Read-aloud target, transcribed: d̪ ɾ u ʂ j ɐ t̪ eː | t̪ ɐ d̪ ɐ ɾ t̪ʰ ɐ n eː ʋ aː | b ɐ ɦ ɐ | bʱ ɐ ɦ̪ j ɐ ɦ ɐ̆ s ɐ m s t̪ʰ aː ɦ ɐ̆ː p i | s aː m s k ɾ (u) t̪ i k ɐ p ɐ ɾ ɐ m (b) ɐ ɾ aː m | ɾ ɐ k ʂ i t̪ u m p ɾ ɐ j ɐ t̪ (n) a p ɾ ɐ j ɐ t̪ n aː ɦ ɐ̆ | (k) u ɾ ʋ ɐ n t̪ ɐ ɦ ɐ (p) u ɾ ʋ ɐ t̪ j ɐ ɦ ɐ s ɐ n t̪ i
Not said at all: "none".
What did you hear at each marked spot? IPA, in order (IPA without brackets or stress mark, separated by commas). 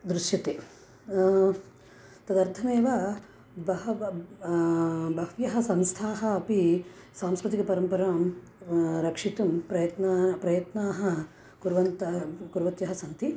u, p, n, k, k